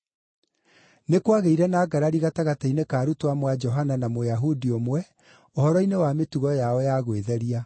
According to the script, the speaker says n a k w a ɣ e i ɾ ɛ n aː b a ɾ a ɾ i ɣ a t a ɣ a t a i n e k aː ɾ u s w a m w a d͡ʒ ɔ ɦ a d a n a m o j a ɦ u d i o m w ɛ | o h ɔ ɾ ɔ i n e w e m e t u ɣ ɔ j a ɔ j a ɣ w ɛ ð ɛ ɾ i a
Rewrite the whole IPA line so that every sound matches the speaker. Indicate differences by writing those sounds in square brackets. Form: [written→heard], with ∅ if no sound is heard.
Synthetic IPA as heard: n [a→e] k w a ɣ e i ɾ ɛ n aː [b→ɡ] a ɾ a ɾ i ɣ a t a ɣ a t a i n e k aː ɾ u [s→t] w a m w a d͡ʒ ɔ ɦ a [d→n] a n a m o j a ɦ u d i o m w ɛ | o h ɔ ɾ ɔ i n e w [e→a] m e t u ɣ ɔ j a ɔ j a ɣ w [ɛ→e] ð ɛ ɾ i a